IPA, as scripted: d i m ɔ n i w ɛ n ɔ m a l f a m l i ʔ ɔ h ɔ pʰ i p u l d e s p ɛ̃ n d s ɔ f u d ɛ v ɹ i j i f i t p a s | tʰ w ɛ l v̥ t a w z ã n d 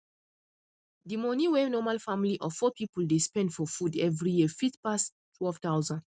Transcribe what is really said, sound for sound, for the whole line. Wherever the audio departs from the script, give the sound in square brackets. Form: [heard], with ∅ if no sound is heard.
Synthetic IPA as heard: d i m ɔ n i w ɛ n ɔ m a l f a m l i ʔ ɔ [f] ɔ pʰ i p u l d e s p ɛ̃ n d [f] ɔ f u d ɛ v ɹ i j i f i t p a s | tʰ w ɛ l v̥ t a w z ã n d

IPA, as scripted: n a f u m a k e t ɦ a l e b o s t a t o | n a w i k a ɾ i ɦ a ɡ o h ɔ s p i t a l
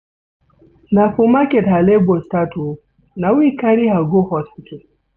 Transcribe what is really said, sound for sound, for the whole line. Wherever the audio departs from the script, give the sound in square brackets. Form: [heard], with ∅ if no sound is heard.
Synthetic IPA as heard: n a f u m a k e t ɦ a l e b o s t a t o | n a w i k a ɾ i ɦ a ɡ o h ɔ s p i t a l

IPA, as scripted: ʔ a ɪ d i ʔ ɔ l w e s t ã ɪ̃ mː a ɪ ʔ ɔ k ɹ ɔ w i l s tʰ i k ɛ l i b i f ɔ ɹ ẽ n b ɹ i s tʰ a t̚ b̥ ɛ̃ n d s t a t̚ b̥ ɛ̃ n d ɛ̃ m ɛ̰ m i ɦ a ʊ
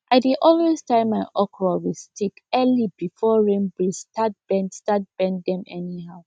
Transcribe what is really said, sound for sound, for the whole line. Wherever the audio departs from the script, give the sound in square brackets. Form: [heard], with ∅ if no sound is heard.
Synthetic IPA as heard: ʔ a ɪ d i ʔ ɔ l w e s t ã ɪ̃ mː a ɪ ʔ ɔ k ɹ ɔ w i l s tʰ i k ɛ l i b i f ɔ ɹ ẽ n b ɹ i s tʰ a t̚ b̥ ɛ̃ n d s t a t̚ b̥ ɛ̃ n d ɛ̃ m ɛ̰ [n] i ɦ a ʊ

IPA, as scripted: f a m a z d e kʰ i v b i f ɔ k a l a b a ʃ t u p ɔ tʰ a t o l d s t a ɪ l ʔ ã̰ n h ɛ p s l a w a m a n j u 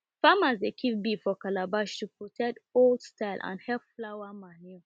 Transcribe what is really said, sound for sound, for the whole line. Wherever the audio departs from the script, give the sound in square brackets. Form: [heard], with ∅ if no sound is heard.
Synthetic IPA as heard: f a m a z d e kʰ i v b i f ɔ k a l a b a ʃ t u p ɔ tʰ [ɛ] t o l d s t a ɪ l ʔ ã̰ n h ɛ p [f] l a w a m a n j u

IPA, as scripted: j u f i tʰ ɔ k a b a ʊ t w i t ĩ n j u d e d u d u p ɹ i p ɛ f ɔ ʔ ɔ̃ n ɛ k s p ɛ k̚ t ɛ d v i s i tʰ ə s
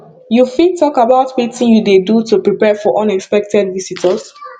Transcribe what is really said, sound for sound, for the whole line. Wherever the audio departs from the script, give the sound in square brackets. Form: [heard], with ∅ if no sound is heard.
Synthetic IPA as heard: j u f i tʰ ɔ k a b a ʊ t w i t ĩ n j u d e d u [t] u p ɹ i p ɛ f ɔ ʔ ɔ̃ n ɛ k s p ɛ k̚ t ɛ d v i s i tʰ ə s

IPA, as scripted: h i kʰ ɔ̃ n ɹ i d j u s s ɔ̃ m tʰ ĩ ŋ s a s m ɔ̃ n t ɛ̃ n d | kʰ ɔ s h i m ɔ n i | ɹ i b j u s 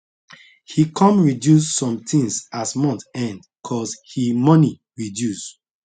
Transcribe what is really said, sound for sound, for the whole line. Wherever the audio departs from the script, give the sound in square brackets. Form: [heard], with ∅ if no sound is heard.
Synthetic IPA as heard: h i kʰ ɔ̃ [m] ɹ i d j u s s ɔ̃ m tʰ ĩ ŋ s a s m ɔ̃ n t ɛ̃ n d | kʰ ɔ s h i m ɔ n i | ɹ i [d] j u s

